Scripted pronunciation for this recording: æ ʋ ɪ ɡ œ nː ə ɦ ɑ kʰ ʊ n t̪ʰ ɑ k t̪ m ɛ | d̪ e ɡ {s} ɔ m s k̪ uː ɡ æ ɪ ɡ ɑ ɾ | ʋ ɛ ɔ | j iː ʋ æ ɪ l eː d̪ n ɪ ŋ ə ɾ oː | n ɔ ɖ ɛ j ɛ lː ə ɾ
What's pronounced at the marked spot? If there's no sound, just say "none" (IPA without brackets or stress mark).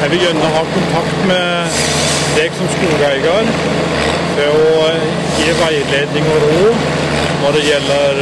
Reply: s